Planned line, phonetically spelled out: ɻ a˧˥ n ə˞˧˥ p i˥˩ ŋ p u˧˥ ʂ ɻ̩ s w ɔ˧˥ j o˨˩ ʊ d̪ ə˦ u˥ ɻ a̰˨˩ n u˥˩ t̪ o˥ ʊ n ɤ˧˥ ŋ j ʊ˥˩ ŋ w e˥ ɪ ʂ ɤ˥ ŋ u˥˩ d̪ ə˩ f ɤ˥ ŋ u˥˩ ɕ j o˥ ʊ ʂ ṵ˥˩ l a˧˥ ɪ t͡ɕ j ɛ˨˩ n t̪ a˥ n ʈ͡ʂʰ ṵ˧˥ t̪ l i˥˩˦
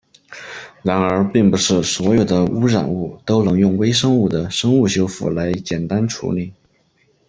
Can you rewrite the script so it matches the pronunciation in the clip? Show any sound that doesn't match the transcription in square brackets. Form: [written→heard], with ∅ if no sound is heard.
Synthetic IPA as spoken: ɻ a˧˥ n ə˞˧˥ p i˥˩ ŋ p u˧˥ ʂ ɻ̩ s w ɔ˧˥ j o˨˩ ʊ d̪ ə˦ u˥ ɻ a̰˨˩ n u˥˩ t̪ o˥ ʊ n ɤ˧˥ ŋ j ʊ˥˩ ŋ w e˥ ɪ ʂ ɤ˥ ŋ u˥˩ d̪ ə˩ [f→ʂ] ɤ˥ ŋ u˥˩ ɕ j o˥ ʊ [ʂ→f] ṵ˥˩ l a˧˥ ɪ t͡ɕ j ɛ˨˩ n t̪ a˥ n ʈ͡ʂʰ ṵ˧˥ [t̪→∅] l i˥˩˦